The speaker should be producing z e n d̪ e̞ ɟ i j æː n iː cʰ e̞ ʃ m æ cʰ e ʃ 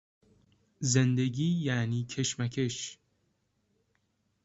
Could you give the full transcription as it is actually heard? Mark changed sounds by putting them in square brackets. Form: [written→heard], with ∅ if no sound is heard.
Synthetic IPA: z e n d̪ e̞ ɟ [i→iː] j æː n iː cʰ e̞ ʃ m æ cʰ e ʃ

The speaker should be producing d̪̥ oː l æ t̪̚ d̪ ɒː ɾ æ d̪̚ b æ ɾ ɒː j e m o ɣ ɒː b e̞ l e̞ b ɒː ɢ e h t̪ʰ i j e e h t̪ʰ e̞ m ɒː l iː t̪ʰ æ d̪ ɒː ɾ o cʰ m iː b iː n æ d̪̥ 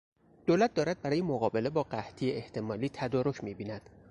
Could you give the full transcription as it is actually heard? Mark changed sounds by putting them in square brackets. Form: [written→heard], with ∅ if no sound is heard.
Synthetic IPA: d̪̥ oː l æ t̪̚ d̪ ɒː ɾ æ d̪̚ b æ ɾ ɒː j e m o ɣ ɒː b e̞ l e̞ b ɒː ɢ [e→æ] h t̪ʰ i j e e h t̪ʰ e̞ m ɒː l iː t̪ʰ æ d̪ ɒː ɾ o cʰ m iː b iː n æ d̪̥

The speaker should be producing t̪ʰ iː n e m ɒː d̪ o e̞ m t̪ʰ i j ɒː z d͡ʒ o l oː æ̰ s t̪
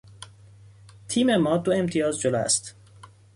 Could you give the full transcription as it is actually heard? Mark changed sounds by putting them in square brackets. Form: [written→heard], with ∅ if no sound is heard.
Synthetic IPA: t̪ʰ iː [n→m] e m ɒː d̪ o e̞ m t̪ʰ i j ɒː z d͡ʒ o l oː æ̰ s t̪

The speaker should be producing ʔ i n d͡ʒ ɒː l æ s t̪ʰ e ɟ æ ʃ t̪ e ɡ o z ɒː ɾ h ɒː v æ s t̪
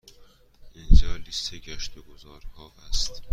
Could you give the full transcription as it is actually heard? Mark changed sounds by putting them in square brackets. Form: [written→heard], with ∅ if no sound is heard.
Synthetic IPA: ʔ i n d͡ʒ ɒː l [æ→i] s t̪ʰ e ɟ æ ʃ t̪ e ɡ o z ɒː ɾ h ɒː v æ s t̪

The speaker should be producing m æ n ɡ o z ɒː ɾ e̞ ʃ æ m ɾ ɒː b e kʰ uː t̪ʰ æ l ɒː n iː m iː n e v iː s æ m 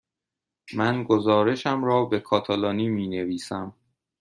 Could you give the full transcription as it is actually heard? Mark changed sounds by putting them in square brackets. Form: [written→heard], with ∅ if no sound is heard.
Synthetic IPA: m æ n ɡ o z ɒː ɾ e̞ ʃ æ m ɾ ɒː b e kʰ [uː→ɒː] t̪ʰ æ l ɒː n iː m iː n e v iː s æ m

